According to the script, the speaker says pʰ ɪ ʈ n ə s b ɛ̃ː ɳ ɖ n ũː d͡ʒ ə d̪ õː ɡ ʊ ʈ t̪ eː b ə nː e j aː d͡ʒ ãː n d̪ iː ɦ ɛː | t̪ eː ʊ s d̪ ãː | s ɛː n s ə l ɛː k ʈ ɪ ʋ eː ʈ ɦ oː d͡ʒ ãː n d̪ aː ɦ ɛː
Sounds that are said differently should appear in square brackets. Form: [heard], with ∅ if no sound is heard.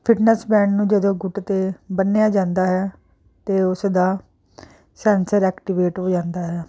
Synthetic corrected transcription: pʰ ɪ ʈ n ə s b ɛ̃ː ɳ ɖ n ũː d͡ʒ ə d̪ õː ɡ ʊ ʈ t̪ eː b ə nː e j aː d͡ʒ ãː n d̪ [aː] ɦ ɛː | t̪ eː ʊ s d̪ [aː] | s ɛː n s ə [ɾ] ɛː k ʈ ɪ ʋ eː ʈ ɦ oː d͡ʒ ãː n d̪ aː ɦ ɛː